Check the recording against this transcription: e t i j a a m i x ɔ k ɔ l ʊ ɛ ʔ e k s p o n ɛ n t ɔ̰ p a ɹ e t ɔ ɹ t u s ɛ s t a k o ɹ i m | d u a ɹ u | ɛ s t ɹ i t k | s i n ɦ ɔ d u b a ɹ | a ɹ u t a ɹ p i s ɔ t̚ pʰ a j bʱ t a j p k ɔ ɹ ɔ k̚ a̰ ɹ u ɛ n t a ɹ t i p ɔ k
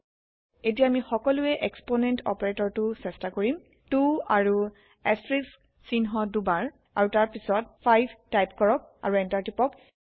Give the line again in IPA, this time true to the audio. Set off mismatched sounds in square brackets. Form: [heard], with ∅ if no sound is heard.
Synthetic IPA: e t i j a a m i x ɔ k ɔ l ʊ ɛ ʔ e k s p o n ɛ n t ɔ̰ p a ɹ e t ɔ ɹ t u s ɛ s t a k o ɹ i m | [t] u a ɹ u | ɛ s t ɹ i [s] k | s i n ɦ ɔ d u b a ɹ | a ɹ u t a ɹ p i s ɔ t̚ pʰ a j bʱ t a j p k ɔ ɹ ɔ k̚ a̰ ɹ u ɛ n t a ɹ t i p ɔ k